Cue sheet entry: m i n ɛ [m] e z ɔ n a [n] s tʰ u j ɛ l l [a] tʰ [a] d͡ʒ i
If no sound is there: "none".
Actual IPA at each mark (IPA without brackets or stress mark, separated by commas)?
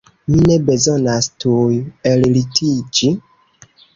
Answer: b, none, i, i